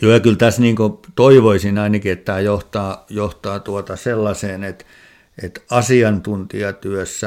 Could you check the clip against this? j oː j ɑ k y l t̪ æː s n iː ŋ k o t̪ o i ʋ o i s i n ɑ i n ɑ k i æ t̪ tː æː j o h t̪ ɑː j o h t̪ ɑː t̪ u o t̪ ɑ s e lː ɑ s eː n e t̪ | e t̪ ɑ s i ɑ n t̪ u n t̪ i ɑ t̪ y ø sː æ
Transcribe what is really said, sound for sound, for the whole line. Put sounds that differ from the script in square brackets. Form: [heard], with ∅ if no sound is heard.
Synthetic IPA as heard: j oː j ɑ k y l t̪ [æ] s n iː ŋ k o t̪ o i ʋ o i s i n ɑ i n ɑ k i [e] t̪ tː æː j o h t̪ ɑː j o h t̪ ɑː t̪ u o t̪ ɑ s e lː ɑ s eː n e t̪ | e t̪ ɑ s i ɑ n t̪ u n t̪ i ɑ t̪ y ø sː æ